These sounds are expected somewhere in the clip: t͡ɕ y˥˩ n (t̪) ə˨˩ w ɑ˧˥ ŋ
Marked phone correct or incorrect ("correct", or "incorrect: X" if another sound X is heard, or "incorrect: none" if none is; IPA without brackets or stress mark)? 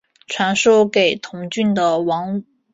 incorrect: d̪